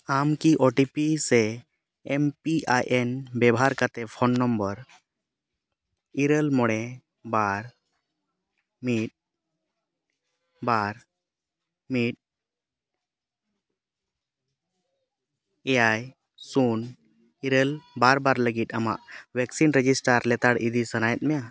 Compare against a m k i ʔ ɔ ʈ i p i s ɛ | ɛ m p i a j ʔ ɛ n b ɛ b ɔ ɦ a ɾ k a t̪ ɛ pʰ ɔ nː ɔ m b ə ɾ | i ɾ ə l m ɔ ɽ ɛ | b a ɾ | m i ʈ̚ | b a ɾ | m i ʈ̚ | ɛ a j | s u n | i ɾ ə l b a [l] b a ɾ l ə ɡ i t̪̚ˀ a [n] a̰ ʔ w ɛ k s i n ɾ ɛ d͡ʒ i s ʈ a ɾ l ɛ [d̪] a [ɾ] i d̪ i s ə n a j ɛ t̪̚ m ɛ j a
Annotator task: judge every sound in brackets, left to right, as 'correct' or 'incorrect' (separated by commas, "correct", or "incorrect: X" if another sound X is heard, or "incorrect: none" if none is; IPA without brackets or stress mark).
incorrect: ɾ, incorrect: m, incorrect: t̪, incorrect: ɽ